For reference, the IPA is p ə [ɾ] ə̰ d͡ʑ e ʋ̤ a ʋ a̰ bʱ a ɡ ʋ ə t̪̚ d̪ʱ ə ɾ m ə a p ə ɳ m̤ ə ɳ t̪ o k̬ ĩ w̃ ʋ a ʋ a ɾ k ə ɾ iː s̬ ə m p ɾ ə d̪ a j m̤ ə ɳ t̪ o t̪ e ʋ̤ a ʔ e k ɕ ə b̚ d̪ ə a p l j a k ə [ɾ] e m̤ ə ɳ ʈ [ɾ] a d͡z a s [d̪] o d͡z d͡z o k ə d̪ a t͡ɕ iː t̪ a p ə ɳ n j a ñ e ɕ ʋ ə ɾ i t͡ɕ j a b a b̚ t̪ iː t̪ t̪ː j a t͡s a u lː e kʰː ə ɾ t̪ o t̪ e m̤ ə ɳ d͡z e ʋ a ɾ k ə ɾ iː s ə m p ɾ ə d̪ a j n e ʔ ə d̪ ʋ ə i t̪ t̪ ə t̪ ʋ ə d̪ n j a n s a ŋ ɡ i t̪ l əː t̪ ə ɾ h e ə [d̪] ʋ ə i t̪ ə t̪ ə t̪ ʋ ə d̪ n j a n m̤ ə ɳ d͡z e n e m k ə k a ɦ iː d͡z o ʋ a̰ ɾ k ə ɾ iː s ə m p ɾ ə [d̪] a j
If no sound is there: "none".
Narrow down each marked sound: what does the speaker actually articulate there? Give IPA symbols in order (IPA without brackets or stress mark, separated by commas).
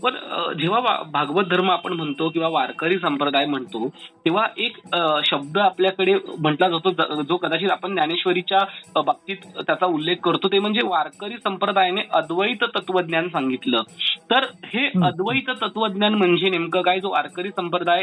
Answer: ɾ, ɽ, l, t̪, d̪, d̪